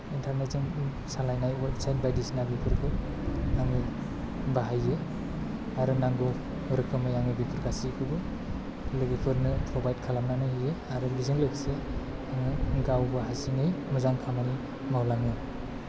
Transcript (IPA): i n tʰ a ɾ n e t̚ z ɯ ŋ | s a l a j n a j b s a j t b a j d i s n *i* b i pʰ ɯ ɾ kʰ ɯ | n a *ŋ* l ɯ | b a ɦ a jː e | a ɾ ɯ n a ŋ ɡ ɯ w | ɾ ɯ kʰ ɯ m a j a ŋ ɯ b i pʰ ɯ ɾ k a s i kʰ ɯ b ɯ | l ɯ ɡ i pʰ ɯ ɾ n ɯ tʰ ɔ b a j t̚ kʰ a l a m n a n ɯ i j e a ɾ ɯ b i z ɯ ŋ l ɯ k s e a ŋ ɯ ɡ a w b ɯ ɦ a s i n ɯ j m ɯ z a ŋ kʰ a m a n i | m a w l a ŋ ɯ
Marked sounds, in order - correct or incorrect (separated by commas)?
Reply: incorrect, correct